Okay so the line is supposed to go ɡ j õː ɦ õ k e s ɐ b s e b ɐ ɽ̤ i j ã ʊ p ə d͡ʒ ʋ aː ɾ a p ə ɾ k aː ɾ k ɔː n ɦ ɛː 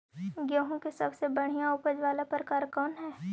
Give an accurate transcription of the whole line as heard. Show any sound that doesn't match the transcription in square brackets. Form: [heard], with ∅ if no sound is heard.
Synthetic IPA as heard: ɡ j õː ɦ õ k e s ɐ b s e b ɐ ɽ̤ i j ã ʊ p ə d͡ʒ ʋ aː [l] a p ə ɾ k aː ɾ k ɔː n ɦ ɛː